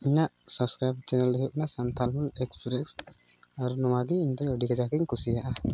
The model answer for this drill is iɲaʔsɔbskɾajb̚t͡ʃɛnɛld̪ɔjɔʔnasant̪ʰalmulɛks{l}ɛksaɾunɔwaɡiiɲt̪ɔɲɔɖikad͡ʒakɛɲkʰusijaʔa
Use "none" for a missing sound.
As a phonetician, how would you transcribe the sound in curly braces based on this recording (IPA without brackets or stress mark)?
ɾ